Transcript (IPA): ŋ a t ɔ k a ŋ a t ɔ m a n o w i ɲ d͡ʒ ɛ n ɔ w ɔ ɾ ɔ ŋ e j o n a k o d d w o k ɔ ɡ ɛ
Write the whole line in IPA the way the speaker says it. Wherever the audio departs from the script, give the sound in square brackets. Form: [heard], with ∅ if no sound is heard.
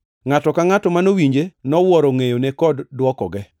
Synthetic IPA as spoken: ŋ a t ɔ k a ŋ a t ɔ m a n o w i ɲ d͡ʒ [e] n ɔ w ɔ ɾ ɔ ŋ e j o n [e] k [ɔ] d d w [ɔ] k ɔ ɡ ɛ

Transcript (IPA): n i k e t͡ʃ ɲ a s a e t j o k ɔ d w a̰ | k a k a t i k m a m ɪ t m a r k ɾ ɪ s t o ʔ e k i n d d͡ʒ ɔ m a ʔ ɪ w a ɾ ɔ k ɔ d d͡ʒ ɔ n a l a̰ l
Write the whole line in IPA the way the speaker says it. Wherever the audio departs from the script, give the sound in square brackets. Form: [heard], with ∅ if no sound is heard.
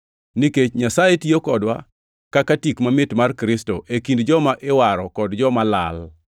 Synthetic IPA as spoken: n i k e t͡ʃ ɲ a s a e t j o k ɔ d w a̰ | k a k a t i k m a m ɪ t m a r k ɾ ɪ s t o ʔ e k i n d d͡ʒ ɔ m a ʔ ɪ w a ɾ ɔ k ɔ d d͡ʒ ɔ [m] a l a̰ l

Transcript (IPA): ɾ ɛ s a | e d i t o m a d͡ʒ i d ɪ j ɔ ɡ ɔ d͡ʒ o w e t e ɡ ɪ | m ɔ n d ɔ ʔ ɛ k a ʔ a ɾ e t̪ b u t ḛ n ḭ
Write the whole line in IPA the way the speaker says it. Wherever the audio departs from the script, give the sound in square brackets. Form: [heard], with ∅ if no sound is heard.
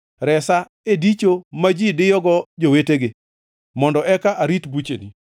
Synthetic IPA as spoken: ɾ ɛ s a | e d i [t͡ʃ] o m a d͡ʒ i d ɪ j ɔ ɡ ɔ d͡ʒ o w e t e ɡ ɪ | m ɔ n d ɔ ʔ ɛ k a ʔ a ɾ [i] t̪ b u [t͡ʃ] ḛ n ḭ

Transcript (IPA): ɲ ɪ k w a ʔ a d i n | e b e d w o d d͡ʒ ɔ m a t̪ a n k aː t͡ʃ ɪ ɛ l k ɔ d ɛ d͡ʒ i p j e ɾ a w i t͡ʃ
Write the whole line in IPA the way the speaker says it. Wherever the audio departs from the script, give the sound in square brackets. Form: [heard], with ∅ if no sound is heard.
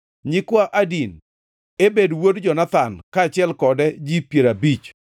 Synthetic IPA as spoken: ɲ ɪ k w a ʔ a d i n | e b e d w o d d͡ʒ ɔ [n] a t̪ a n k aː t͡ʃ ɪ ɛ l k ɔ d ɛ d͡ʒ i p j e ɾ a [b] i t͡ʃ

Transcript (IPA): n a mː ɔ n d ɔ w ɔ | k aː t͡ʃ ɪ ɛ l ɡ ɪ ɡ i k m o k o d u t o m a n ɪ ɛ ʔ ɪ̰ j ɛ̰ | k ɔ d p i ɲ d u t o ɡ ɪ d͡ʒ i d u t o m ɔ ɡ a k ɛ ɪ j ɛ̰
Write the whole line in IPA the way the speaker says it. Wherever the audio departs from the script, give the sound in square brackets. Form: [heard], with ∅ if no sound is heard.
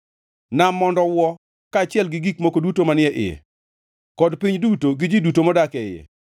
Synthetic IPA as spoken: n a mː ɔ n d ɔ w ɔ | k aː t͡ʃ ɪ ɛ l ɡ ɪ ɡ i k m o k o d u t o m a n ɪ ɛ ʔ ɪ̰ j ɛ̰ | k ɔ d p i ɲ d u t o ɡ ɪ d͡ʒ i d u t o m ɔ [d] a k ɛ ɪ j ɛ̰

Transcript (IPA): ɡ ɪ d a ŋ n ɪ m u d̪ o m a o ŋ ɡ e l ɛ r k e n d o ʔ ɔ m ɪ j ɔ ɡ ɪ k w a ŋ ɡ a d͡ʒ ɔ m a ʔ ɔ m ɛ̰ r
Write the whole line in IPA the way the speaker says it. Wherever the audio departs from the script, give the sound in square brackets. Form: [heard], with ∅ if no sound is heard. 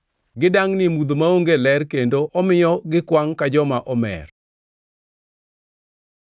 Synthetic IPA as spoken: ɡ ɪ d a ŋ n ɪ m u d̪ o m a o ŋ ɡ e l ɛ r k e n d o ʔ ɔ m ɪ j ɔ ɡ ɪ k w a ŋ [k] a d͡ʒ ɔ m a ʔ ɔ m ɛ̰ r

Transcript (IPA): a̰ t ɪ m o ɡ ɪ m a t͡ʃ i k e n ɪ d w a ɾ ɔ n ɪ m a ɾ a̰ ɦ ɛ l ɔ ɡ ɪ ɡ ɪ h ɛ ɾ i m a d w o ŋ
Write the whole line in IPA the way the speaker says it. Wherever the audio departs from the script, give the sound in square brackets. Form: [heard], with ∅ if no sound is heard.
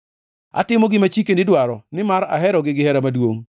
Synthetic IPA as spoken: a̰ t ɪ m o ɡ ɪ m a t͡ʃ i k e n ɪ d w a ɾ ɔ n ɪ m a ɾ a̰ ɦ ɛ [ɾ] ɔ ɡ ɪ ɡ ɪ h ɛ ɾ [a] m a d w o ŋ

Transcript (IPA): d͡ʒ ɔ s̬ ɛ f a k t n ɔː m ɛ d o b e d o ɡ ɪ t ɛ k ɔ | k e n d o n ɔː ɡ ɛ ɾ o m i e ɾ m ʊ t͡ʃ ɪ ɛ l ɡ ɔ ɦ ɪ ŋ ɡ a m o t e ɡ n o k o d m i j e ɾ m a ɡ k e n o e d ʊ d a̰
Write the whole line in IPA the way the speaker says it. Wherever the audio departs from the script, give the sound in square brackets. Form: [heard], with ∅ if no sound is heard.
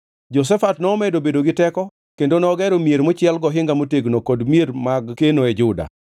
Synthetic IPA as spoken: d͡ʒ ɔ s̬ ɛ f a [∅] t n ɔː m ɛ d o b e d o ɡ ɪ t ɛ k ɔ | k e n d o n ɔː ɡ ɛ ɾ o m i e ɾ m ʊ t͡ʃ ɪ ɛ l ɡ ɔ ɦ ɪ ŋ ɡ a m o t e ɡ n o k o d m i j e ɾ m a ɡ k e n o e [d͡ʒ] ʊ d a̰

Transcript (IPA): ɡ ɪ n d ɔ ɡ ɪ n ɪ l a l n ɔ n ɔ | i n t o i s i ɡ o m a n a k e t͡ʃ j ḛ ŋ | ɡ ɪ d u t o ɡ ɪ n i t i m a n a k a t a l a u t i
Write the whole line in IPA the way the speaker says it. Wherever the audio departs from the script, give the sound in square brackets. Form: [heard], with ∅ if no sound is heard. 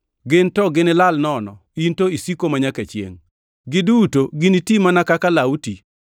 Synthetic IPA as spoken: ɡ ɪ n [t] ɔ ɡ ɪ n ɪ l a l n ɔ n ɔ | i n t o i s i [k] o m a [ɲ] a k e t͡ʃ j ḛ ŋ | ɡ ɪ d u t o ɡ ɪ n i t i m a n a k a [k] a l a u t i

